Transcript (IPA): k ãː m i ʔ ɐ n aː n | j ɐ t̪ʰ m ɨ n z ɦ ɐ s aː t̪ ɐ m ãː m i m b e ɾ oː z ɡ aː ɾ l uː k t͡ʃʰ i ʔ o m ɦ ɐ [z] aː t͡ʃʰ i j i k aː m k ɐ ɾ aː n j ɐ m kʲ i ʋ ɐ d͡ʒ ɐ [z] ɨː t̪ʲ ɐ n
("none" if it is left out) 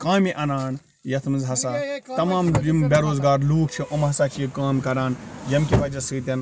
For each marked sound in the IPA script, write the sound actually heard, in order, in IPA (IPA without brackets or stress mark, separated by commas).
s, s